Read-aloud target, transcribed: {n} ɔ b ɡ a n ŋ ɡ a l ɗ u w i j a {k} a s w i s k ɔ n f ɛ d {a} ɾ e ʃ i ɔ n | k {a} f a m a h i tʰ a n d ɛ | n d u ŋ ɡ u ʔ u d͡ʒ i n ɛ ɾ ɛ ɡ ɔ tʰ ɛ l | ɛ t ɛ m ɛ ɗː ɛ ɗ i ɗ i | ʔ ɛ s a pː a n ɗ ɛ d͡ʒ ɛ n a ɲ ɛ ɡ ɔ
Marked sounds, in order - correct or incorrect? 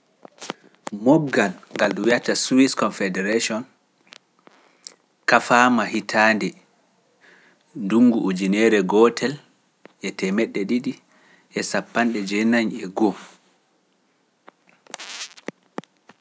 incorrect, incorrect, incorrect, correct

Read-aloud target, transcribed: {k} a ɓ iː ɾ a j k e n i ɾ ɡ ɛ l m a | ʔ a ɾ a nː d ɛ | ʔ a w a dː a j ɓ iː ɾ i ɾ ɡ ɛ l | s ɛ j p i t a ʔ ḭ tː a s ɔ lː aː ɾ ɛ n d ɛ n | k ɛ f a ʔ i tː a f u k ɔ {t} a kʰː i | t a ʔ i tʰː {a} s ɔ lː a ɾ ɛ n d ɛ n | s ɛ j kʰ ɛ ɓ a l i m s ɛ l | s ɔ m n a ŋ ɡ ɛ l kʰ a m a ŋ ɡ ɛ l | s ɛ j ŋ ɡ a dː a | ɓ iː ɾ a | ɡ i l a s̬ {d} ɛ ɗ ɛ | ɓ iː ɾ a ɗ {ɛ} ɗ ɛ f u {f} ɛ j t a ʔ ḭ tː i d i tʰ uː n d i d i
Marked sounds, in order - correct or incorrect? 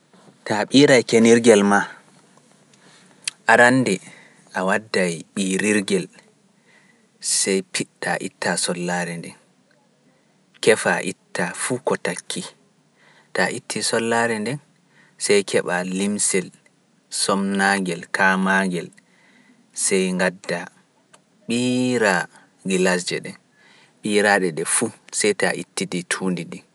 incorrect, correct, incorrect, incorrect, correct, incorrect

